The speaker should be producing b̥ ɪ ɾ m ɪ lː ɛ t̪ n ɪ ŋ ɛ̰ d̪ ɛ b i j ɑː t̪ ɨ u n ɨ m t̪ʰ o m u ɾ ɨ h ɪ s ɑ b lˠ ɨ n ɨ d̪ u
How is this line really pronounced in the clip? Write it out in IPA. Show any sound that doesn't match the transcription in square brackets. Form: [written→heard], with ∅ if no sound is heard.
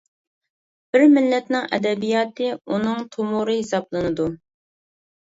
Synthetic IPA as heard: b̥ ɪ ɾ m ɪ lː ɛ t̪ n ɪ ŋ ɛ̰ d̪ ɛ b i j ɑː t̪ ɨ u n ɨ [m→ŋ] t̪ʰ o m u ɾ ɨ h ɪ s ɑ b lˠ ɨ n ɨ d̪ u